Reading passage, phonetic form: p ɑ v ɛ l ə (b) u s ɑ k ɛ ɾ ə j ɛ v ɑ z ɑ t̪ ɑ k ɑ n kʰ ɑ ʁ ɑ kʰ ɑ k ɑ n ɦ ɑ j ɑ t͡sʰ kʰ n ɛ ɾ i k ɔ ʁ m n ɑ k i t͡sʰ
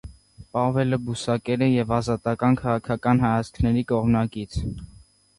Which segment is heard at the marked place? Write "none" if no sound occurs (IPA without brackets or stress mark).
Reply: b